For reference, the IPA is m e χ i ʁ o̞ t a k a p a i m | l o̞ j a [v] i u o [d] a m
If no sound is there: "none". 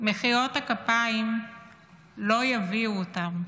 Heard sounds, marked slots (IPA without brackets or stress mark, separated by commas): v, t